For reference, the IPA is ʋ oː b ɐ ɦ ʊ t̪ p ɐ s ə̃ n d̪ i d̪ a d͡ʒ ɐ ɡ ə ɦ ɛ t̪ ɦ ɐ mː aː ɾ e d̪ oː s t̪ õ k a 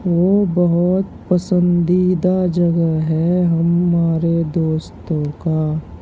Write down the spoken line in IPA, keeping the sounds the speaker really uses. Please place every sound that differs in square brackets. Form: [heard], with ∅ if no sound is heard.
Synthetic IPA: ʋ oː b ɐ ɦ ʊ t̪ p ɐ s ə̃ n d̪ i d̪ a d͡ʒ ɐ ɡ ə ɦ ɛ [∅] ɦ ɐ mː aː ɾ e d̪ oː s t̪ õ k a